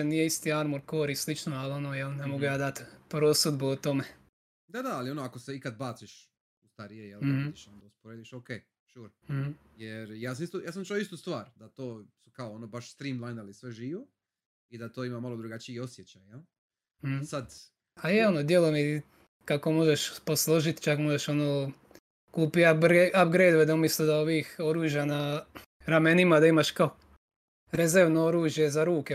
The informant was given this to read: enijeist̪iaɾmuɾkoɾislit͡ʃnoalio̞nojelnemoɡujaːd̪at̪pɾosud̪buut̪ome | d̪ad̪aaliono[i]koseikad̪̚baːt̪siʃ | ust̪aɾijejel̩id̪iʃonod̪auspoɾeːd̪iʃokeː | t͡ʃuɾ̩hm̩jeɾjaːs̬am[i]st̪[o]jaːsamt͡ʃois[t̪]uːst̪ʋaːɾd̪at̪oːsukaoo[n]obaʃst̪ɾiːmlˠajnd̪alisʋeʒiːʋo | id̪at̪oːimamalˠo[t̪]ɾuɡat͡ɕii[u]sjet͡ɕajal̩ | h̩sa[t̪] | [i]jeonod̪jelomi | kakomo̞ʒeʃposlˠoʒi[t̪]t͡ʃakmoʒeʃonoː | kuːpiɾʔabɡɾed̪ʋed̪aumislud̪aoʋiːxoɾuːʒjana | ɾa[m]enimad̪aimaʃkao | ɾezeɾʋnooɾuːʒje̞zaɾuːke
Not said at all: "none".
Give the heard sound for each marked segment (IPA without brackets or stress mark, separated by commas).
a, i, u, t̪, n, d̪, o, d̪, a, t̪, m